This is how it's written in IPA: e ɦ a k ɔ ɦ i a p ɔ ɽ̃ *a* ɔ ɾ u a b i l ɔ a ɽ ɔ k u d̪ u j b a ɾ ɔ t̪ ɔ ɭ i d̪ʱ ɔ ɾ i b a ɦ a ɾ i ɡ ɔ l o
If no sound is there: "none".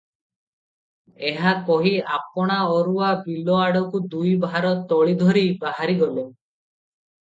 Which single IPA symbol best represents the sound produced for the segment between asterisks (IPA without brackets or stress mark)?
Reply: a